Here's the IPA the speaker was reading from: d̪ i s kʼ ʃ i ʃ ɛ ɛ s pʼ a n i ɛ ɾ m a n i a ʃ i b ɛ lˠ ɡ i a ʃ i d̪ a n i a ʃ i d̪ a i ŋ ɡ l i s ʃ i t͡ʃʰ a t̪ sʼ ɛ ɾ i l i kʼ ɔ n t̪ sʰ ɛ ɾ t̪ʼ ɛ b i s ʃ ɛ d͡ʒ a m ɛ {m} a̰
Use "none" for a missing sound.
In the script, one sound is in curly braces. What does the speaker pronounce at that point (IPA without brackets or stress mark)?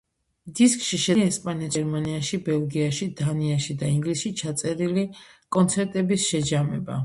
b